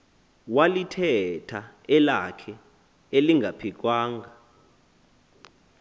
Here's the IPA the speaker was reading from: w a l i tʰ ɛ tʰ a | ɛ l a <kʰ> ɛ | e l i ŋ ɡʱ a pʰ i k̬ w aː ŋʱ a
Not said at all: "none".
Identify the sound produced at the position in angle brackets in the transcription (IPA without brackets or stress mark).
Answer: kʰ